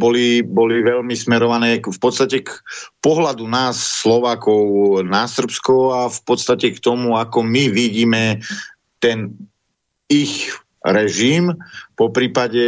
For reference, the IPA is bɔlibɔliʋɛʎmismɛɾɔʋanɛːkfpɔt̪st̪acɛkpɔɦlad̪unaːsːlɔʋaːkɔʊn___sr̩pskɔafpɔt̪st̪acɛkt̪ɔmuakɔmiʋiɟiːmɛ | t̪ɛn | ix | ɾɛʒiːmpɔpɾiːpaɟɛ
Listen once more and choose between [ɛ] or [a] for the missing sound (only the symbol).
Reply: a